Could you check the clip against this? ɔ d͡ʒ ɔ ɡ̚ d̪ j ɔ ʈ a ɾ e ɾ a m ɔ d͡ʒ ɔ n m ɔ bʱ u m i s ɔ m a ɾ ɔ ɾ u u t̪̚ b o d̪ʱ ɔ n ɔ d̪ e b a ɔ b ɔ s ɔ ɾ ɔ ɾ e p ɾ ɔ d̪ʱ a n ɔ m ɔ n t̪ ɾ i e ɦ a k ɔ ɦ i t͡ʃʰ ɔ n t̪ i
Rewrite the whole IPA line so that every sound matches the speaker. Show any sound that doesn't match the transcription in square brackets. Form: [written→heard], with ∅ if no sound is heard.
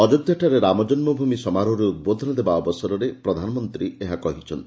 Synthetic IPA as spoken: ɔ d͡ʒ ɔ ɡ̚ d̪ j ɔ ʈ a ɾ e ɾ a m ɔ d͡ʒ ɔ n m ɔ bʱ u m i s ɔ m a ɾ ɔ ɾ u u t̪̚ b o d̪ʱ ɔ n ɔ d̪ e b a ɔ b ɔ s ɔ ɾ ɔ ɾ e p ɾ ɔ d̪ʱ a n ɔ m ɔ n t̪ ɾ i e ɦ a k ɔ ɦ i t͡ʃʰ ɔ n t̪ i

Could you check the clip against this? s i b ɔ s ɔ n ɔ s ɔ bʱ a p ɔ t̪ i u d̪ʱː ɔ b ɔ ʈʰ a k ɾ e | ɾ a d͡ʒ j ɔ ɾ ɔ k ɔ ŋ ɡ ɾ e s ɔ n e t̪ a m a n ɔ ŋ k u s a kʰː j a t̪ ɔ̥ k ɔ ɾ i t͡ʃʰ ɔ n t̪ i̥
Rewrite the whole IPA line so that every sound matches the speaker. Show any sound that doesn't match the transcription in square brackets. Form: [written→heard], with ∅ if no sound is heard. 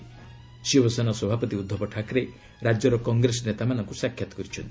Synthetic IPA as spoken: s i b ɔ s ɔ n ɔ s ɔ bʱ a p ɔ t̪ i u d̪ʱː ɔ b ɔ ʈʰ a k ɾ e | ɾ a d͡ʒ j ɔ ɾ ɔ k ɔ ŋ ɡ ɾ e s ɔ n e t̪ a m a n ɔ ŋ k u s a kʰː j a t̪ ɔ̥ k ɔ ɾ i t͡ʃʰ ɔ n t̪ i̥

